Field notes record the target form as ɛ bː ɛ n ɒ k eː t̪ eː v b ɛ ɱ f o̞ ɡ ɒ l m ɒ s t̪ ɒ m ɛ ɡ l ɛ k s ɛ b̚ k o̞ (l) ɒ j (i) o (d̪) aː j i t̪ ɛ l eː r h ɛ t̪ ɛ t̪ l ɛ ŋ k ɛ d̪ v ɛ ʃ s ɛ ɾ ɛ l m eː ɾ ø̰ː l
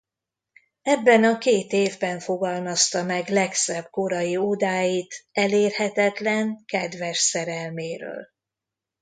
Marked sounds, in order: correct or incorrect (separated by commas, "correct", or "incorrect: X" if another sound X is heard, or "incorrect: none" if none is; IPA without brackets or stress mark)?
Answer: incorrect: ɾ, correct, correct